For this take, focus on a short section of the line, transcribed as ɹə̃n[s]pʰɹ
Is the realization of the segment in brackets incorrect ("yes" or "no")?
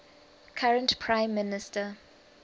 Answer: yes